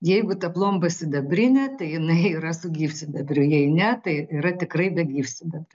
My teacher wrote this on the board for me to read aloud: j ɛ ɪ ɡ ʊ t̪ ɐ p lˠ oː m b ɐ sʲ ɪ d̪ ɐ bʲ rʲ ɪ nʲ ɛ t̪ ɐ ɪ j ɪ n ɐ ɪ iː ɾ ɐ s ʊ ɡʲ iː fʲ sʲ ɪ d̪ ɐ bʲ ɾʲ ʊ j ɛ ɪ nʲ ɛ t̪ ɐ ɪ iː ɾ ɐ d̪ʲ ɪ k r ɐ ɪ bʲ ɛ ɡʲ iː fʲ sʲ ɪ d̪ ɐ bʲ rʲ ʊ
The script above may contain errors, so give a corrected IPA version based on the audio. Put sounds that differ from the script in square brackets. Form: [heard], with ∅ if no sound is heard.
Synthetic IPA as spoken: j ɛ ɪ ɡ ʊ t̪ ɐ p lˠ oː m b ɐ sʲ ɪ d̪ ɐ bʲ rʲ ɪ nʲ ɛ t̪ ɐ ɪ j ɪ n ɐ ɪ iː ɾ ɐ s ʊ ɡʲ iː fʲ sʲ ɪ d̪ ɐ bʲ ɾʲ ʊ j ɛ ɪ nʲ ɛ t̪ ɐ ɪ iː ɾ ɐ [t̪ʲ] ɪ k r ɐ ɪ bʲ ɛ ɡʲ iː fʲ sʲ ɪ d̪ ɐ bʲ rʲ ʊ